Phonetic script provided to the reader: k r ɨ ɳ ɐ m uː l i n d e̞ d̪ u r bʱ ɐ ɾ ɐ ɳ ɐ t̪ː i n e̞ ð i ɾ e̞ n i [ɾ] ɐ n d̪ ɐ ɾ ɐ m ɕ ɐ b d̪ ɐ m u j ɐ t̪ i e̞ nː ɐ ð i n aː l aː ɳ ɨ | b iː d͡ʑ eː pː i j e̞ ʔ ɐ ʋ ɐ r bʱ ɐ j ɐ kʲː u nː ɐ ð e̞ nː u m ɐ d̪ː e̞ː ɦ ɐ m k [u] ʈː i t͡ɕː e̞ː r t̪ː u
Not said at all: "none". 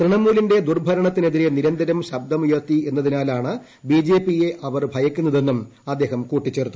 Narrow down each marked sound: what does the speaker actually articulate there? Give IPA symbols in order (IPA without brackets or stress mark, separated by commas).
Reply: ɾ, uː